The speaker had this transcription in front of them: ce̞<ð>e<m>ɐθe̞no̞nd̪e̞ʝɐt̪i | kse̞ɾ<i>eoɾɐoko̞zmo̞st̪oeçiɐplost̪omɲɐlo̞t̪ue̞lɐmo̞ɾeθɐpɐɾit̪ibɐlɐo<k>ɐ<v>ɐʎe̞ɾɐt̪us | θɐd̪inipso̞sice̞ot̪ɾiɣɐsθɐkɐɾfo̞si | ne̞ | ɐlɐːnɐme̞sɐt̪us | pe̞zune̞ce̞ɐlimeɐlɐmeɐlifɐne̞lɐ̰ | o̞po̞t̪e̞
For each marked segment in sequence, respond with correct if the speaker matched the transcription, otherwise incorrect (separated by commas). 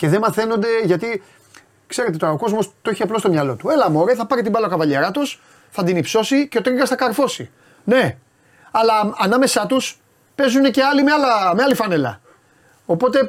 correct, correct, incorrect, correct, correct